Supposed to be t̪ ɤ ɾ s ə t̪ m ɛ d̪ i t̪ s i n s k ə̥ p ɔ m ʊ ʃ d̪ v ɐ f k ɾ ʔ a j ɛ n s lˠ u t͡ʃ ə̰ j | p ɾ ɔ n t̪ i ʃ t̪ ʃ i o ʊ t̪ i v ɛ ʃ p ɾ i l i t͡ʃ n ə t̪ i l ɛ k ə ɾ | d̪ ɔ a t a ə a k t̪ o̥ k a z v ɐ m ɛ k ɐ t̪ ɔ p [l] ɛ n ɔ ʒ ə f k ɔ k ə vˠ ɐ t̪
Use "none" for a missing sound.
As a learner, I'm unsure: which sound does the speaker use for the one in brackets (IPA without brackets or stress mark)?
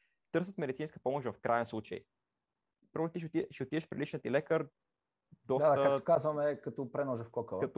ɾ